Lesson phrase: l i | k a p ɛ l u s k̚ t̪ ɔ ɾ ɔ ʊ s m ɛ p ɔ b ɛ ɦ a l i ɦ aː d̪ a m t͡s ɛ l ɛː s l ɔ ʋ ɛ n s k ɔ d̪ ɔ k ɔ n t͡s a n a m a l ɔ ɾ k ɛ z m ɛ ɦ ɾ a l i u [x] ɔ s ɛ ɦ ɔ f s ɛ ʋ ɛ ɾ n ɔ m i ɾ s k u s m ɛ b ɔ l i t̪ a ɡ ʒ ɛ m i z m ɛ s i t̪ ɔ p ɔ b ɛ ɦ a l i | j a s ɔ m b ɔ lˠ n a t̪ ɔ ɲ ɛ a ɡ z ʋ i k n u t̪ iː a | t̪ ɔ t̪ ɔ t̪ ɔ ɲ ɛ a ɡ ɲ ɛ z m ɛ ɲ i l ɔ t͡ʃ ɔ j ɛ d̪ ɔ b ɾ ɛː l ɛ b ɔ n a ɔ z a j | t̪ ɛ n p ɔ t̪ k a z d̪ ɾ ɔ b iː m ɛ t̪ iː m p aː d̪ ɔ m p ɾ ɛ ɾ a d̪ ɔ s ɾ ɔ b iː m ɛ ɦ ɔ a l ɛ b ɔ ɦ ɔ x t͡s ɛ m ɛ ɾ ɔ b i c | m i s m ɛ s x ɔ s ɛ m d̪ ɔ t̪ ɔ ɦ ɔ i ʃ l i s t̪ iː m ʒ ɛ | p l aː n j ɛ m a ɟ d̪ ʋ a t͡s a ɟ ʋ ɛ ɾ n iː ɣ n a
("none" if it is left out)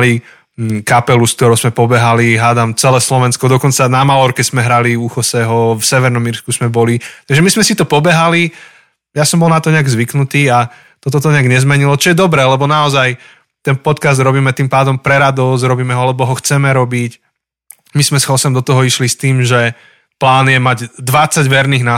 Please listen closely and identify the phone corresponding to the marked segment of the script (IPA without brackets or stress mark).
x